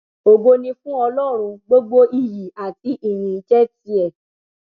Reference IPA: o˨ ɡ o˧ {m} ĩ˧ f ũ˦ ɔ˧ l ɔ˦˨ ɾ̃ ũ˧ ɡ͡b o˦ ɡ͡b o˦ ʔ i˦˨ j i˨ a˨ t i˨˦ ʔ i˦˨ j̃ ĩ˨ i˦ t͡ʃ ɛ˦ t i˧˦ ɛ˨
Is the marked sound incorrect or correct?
incorrect